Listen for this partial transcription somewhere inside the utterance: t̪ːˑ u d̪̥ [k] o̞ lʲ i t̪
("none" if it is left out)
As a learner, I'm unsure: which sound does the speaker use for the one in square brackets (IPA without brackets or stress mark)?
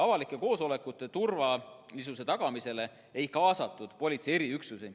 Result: p